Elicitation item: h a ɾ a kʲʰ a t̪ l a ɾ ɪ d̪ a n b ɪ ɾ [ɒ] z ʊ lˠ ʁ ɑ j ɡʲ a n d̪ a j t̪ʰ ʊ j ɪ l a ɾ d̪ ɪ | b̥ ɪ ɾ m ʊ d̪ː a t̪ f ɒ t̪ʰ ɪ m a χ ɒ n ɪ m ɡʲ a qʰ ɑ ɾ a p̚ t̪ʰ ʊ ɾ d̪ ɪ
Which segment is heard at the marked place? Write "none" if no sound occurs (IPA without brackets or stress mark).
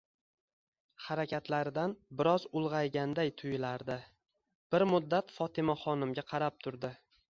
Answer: ɒ